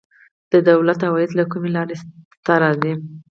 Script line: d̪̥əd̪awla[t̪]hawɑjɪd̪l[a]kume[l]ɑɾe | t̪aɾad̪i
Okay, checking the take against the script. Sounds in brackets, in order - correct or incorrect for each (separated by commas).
correct, correct, correct